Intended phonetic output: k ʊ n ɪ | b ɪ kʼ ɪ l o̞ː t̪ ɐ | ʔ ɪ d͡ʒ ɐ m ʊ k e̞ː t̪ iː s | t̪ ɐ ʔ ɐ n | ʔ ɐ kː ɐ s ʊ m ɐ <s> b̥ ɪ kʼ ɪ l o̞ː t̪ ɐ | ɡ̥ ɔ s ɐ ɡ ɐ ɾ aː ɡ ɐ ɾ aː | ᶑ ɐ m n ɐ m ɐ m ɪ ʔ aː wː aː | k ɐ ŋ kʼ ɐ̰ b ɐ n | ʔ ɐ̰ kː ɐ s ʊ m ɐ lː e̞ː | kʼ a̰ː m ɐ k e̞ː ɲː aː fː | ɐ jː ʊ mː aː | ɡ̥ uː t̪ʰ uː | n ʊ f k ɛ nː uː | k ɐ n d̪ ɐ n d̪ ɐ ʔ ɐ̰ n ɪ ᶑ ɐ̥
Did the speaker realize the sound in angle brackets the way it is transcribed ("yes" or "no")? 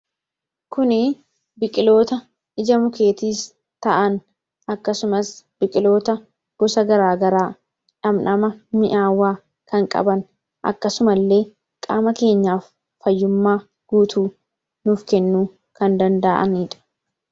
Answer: yes